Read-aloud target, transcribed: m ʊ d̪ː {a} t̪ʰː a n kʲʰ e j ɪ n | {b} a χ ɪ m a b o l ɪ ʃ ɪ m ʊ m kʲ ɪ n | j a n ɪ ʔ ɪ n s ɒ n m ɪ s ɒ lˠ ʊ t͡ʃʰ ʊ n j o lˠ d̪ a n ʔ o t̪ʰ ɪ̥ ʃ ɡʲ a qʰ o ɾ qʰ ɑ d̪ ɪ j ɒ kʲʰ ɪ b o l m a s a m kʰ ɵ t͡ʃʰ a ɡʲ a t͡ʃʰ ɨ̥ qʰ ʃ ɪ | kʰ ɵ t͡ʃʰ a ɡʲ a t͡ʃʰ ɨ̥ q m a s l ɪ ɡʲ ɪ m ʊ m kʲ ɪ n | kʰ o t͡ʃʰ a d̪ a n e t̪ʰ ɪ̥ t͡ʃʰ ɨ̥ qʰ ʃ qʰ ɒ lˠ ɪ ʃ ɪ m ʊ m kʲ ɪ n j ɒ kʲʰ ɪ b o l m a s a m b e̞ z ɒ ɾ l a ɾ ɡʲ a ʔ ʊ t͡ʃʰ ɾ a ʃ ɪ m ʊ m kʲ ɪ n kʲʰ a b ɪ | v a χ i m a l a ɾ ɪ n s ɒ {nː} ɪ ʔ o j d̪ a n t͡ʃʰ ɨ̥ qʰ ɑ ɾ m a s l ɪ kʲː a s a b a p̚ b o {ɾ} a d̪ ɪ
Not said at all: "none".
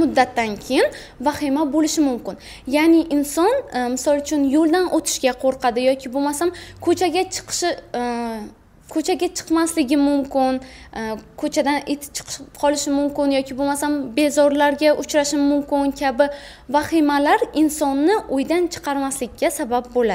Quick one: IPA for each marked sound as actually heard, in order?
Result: a, v, nː, l

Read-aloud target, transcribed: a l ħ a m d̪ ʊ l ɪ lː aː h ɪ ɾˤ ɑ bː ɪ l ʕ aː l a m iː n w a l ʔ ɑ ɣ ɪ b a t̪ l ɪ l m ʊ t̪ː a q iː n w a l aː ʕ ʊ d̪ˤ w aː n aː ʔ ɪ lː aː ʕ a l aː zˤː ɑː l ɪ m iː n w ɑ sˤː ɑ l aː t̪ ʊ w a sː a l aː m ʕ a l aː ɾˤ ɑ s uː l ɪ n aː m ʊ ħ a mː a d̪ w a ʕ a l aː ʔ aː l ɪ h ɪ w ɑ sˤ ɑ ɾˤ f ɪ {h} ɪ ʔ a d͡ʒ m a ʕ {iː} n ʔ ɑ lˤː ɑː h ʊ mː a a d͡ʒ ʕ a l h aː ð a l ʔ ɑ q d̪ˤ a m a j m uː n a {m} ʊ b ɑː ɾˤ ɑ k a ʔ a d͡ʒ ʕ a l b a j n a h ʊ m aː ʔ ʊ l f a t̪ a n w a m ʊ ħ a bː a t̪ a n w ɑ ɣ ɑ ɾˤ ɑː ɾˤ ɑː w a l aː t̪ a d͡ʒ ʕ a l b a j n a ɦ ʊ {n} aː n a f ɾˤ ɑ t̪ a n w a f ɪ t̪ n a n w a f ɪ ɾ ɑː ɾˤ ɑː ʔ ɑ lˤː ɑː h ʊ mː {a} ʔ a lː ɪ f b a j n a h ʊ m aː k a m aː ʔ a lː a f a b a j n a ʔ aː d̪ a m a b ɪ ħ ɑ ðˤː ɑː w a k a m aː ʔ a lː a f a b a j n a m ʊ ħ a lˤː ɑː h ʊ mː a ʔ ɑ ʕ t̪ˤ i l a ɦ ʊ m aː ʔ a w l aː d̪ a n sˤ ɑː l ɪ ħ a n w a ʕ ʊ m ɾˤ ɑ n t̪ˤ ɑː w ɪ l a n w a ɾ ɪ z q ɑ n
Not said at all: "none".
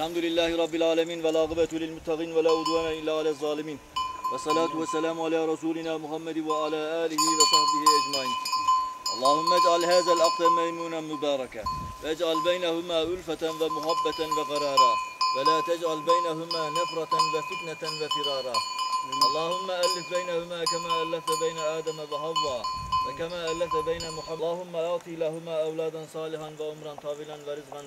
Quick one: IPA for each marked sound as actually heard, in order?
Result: h, iː, m, m, a

